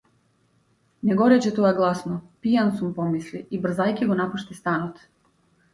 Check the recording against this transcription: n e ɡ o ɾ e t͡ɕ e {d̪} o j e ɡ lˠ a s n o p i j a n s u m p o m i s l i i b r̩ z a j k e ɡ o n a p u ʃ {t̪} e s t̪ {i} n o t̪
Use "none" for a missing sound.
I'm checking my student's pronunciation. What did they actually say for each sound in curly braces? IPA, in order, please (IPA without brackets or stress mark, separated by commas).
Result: t̪, t̪, a